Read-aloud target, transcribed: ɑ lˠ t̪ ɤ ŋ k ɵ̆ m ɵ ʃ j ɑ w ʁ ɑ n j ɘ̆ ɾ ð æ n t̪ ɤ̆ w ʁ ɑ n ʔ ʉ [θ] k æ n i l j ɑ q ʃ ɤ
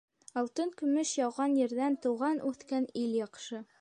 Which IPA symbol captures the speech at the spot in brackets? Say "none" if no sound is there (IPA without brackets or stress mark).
θ